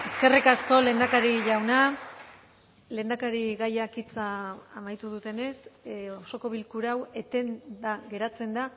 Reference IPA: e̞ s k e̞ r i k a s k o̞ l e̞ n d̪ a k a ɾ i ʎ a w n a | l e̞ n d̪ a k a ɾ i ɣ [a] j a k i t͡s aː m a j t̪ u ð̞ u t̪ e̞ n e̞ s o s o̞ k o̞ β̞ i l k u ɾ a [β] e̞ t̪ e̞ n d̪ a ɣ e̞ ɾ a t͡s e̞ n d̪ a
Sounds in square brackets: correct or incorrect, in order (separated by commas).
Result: correct, incorrect